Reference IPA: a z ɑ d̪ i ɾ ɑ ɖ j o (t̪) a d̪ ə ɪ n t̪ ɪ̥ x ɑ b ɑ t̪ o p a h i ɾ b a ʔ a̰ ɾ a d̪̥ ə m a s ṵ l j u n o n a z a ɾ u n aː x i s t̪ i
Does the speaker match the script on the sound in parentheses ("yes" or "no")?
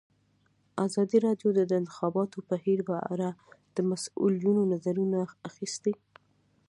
no